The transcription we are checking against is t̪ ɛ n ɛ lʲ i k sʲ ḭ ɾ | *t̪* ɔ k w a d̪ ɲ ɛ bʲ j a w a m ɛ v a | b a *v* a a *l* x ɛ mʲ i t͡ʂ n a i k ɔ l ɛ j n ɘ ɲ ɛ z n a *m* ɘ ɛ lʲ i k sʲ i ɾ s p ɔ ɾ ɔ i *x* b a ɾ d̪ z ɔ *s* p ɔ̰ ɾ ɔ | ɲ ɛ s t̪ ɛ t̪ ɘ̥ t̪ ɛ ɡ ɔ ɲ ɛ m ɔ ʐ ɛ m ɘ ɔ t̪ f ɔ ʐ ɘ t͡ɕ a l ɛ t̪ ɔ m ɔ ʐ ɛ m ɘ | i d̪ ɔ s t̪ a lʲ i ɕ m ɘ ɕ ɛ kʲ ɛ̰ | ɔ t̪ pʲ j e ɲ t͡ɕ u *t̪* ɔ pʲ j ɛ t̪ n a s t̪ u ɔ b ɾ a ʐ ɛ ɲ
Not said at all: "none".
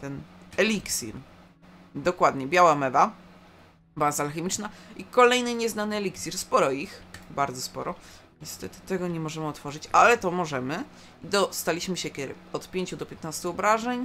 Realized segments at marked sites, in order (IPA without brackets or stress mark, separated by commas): d̪, z, l, n, x, s, d̪